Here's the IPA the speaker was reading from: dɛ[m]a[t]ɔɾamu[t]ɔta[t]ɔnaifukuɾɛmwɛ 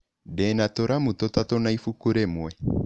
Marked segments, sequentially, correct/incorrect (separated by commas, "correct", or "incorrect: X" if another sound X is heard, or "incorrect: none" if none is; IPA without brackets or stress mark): incorrect: n, correct, correct, correct